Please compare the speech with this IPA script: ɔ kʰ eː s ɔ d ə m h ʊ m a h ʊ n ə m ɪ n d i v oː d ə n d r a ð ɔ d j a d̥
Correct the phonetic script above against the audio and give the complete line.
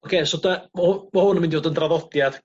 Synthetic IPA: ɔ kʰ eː s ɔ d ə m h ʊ m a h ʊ n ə m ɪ n d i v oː d ə n d r a ð ɔ d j a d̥